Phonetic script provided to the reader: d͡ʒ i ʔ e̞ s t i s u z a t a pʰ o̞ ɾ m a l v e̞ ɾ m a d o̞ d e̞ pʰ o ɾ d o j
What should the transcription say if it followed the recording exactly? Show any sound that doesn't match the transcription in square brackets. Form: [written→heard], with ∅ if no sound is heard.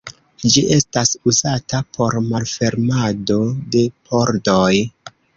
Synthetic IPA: d͡ʒ i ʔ e̞ s t [i→a] s u z a t a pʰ o̞ ɾ m a l [v→f] e̞ ɾ m a d o̞ d e̞ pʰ o ɾ d o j